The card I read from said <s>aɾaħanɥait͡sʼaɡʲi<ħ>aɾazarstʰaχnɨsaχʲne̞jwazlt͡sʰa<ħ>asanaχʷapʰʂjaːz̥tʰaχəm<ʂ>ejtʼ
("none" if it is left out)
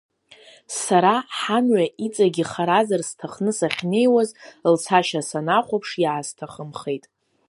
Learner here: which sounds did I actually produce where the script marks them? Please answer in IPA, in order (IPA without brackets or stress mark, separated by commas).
s, χ, ʃ, χ